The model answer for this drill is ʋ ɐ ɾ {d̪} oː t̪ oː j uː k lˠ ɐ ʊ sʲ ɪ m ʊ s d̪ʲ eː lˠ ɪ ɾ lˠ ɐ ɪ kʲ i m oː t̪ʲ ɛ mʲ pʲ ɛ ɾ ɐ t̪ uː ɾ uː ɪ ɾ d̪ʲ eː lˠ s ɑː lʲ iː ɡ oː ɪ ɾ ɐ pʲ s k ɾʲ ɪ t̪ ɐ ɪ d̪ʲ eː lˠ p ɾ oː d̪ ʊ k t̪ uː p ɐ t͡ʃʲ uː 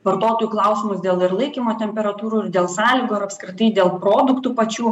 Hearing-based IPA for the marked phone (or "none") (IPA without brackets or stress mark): t̪